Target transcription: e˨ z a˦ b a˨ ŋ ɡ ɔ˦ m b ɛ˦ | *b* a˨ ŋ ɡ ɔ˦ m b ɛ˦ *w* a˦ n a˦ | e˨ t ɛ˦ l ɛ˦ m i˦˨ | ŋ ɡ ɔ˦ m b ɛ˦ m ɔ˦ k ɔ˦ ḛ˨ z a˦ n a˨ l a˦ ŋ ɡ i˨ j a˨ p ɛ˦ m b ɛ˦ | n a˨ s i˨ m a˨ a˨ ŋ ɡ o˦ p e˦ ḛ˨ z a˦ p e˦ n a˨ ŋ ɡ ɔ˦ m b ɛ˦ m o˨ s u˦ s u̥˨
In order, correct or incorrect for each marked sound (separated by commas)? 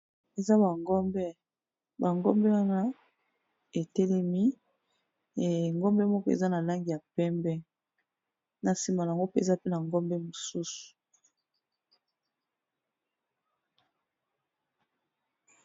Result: correct, correct